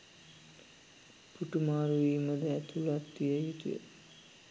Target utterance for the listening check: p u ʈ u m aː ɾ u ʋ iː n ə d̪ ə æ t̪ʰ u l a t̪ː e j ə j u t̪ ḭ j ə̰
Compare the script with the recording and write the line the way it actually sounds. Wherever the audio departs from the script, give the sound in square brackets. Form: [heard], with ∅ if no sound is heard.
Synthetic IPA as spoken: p u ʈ u m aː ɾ u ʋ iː [m] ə d̪ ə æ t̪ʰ u l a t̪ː [i] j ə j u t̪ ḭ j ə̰